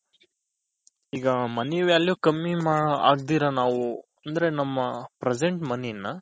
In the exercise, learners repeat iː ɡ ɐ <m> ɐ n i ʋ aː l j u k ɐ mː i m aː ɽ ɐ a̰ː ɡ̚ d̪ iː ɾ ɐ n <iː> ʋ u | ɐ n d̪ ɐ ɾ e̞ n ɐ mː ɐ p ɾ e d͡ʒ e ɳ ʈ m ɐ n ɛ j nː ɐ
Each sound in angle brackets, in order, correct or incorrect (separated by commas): correct, incorrect